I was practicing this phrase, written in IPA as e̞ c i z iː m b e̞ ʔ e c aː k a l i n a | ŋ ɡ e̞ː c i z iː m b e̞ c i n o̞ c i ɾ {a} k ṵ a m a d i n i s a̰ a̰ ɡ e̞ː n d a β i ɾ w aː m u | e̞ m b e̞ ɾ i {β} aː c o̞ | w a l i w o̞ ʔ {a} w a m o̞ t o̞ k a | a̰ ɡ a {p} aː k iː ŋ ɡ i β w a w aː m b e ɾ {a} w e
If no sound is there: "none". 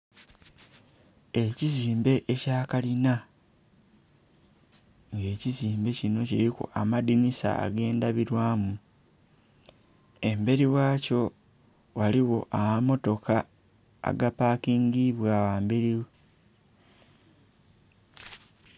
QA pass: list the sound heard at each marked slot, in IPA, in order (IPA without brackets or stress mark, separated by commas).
i, w, a, p, i